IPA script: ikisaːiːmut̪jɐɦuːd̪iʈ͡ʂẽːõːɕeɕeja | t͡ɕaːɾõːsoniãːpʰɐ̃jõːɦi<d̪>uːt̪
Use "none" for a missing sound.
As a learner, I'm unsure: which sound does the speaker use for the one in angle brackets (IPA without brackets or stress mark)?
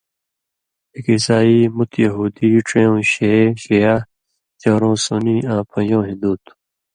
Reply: d̪